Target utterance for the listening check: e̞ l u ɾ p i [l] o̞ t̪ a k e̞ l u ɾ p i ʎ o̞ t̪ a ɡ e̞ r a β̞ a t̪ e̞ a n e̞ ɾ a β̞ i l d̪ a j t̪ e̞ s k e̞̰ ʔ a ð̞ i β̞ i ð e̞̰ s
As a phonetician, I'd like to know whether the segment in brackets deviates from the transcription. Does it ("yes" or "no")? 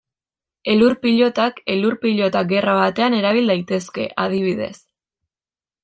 yes